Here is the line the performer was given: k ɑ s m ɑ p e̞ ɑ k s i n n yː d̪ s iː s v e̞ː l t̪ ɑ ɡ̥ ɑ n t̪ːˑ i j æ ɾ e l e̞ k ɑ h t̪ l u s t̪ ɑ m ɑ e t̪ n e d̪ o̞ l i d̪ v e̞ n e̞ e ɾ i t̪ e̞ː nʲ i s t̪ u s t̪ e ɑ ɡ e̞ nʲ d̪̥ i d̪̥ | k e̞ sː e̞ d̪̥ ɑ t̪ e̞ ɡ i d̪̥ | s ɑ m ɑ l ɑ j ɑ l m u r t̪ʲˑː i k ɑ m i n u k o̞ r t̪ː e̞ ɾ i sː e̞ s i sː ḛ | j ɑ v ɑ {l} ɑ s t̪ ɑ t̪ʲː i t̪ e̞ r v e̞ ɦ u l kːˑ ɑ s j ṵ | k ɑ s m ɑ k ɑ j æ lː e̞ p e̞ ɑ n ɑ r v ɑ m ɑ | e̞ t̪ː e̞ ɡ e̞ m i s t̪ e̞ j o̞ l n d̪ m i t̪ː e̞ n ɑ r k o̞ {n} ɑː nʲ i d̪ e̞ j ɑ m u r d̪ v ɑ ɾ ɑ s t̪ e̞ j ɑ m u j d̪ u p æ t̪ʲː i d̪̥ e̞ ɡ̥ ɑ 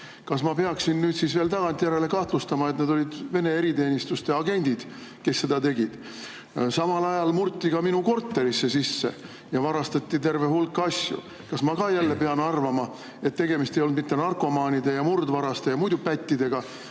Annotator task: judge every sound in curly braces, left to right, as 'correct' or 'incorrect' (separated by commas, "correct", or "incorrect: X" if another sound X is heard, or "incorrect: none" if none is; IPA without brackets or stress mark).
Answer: incorrect: ɾ, incorrect: m